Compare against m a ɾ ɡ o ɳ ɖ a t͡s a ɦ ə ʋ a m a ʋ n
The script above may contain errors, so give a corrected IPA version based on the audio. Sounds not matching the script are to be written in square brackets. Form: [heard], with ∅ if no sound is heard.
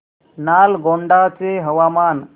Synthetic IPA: [n] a [l] ɡ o ɳ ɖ a t͡s [e] ɦ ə ʋ a m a [∅] n